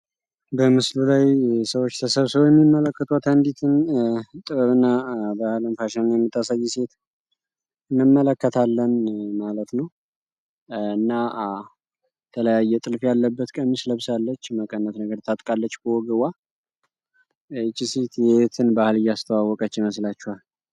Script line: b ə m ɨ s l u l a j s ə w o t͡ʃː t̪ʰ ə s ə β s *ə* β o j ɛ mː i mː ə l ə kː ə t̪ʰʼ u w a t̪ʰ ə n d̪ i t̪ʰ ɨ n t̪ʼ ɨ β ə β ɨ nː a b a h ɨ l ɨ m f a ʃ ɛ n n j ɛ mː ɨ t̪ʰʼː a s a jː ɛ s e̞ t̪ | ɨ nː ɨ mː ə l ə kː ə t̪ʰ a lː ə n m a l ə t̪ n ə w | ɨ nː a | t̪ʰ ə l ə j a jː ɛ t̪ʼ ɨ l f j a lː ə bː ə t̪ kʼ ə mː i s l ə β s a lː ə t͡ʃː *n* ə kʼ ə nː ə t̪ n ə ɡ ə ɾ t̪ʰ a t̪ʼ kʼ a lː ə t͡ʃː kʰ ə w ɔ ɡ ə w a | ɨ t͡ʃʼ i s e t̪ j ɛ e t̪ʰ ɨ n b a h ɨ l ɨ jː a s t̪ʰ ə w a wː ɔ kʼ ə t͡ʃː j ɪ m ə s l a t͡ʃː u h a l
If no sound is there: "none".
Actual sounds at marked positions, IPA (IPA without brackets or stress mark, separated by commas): ə, m